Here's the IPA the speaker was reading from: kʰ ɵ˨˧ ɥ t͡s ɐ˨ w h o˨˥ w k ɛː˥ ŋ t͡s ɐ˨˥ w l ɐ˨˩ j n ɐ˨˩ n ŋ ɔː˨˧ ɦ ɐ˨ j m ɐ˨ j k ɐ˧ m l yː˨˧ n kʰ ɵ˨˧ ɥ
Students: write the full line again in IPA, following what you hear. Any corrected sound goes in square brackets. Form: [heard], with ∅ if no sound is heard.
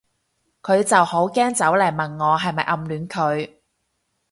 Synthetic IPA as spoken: kʰ ɵ˨˧ ɥ t͡s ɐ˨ w h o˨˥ w k ɛː˥ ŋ t͡s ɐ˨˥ w l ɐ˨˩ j [m] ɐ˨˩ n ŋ ɔː˨˧ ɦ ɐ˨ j m ɐ˨ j [ʔ] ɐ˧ m l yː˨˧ n kʰ ɵ˨˧ ɥ